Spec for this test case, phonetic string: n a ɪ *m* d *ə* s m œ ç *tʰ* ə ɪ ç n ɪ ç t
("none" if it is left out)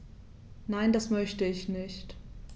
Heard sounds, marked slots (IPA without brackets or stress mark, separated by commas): n, a, t